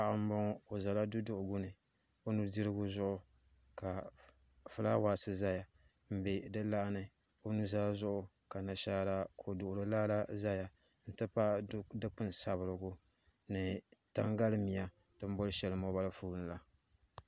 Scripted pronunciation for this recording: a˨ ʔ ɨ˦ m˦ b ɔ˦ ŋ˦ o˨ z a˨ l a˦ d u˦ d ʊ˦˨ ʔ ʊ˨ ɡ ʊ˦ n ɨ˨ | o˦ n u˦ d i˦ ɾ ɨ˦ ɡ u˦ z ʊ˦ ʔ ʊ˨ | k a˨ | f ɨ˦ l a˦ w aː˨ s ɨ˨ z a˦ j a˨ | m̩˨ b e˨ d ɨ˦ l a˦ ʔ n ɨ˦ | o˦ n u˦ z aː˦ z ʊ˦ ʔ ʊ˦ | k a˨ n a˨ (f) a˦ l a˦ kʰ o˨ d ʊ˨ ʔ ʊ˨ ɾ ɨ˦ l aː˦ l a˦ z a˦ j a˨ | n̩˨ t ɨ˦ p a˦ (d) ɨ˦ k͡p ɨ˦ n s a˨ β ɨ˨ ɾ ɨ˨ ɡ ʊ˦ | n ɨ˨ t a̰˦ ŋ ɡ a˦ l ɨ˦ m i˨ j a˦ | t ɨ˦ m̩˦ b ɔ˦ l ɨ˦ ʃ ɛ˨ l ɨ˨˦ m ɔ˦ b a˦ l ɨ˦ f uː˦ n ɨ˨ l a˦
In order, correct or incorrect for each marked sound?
incorrect: ʃ, correct

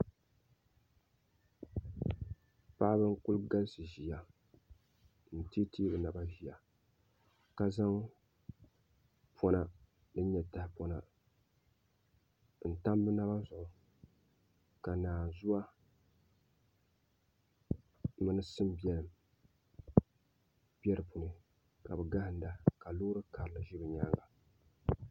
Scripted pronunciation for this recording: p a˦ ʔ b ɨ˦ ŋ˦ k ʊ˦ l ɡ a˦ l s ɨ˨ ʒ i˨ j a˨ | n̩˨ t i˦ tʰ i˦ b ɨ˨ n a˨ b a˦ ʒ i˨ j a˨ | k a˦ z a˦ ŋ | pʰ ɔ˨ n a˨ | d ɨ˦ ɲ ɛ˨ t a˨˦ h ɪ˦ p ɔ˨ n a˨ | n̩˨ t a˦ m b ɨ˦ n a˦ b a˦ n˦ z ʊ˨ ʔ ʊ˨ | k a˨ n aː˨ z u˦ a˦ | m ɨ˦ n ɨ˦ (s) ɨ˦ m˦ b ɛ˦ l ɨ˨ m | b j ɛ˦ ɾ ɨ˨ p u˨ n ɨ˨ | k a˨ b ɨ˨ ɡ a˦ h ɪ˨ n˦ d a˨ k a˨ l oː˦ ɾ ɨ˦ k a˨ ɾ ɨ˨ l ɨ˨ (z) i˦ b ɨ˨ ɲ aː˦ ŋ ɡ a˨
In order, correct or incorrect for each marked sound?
correct, incorrect: ʒ

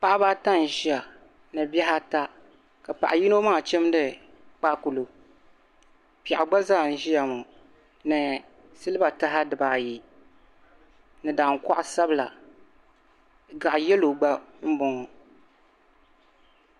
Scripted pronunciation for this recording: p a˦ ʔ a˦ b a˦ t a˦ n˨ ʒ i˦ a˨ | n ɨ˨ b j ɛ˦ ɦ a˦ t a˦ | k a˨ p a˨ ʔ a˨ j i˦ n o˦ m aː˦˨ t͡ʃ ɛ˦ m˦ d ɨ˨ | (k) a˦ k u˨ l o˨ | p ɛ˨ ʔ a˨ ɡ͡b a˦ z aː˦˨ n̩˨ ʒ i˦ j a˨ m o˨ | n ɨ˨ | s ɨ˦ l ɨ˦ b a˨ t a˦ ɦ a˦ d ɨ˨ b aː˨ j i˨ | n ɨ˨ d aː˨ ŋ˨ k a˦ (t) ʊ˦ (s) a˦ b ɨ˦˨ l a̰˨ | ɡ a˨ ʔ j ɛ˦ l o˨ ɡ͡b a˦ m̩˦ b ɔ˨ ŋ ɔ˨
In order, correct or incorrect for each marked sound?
incorrect: k͡p, incorrect: ʔ, correct

